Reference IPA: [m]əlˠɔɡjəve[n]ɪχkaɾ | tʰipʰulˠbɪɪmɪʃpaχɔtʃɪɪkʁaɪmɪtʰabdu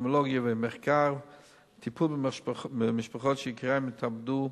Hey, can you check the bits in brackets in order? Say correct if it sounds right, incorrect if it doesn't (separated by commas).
correct, incorrect